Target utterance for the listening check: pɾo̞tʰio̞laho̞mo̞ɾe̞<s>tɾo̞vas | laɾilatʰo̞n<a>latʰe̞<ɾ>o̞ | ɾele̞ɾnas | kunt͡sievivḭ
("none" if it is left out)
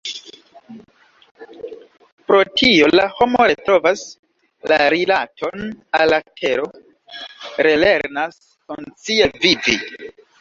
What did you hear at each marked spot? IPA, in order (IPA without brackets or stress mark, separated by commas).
none, a, ɾ